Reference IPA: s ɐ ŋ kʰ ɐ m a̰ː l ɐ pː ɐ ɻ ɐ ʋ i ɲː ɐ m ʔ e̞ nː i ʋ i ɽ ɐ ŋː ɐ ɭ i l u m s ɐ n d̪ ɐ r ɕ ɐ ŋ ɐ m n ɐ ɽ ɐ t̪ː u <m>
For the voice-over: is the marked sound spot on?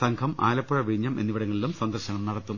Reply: yes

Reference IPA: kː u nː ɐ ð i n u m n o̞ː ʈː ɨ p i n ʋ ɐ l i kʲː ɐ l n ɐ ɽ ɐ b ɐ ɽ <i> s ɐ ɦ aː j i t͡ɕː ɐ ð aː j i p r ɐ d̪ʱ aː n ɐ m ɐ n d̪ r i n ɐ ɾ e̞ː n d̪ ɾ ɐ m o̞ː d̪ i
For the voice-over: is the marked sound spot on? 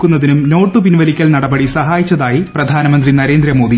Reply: yes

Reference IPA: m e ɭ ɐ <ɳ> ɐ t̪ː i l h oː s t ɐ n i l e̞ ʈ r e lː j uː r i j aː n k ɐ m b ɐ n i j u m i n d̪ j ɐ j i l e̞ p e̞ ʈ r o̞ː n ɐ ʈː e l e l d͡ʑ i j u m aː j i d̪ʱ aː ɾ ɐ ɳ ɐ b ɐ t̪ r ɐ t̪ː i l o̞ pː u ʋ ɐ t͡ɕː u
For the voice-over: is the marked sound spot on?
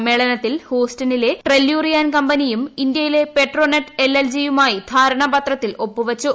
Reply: no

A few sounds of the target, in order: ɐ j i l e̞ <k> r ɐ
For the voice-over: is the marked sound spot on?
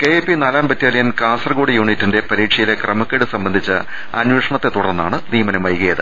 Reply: yes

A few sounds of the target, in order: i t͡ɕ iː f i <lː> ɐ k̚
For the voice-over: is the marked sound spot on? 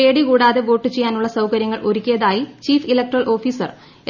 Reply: no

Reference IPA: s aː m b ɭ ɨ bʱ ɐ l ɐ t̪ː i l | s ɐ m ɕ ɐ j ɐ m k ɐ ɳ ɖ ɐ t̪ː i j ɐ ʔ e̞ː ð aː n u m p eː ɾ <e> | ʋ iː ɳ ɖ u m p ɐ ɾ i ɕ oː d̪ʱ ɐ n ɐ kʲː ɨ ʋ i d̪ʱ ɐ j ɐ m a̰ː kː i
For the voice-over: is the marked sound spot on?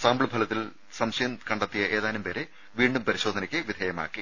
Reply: yes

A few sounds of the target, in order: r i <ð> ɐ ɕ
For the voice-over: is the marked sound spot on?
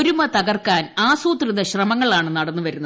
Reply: yes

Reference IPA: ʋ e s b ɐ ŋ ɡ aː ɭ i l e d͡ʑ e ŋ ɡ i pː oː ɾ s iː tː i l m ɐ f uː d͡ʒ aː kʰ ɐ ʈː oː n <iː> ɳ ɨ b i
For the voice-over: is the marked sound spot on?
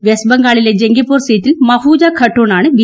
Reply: no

